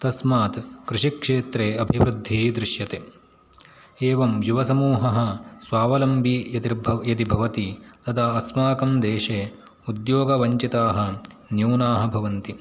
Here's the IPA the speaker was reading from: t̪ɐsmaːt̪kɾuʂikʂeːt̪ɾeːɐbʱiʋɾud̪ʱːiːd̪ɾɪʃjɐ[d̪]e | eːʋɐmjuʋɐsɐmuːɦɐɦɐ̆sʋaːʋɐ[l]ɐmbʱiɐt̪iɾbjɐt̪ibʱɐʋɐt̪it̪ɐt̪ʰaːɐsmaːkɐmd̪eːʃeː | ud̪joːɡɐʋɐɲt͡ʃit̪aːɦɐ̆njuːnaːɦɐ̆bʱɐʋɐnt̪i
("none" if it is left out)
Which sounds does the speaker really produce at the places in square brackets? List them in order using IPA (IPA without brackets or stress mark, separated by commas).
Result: t̪, l